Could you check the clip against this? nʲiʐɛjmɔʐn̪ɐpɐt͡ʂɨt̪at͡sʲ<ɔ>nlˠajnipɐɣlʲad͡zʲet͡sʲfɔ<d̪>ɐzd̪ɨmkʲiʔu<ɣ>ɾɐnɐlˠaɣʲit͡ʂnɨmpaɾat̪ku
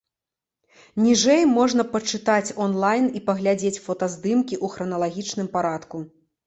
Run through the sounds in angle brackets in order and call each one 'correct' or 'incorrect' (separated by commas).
correct, incorrect, incorrect